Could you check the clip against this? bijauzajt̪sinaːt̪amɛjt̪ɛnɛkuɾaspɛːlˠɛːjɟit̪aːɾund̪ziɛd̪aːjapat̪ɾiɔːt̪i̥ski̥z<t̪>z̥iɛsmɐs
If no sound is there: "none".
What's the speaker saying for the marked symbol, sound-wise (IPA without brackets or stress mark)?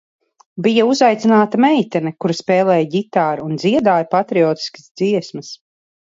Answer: d̪